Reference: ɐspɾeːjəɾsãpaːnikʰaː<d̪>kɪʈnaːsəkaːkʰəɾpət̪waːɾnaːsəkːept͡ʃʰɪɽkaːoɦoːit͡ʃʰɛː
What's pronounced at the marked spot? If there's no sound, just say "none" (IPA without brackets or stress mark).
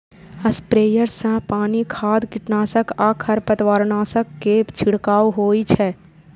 d̪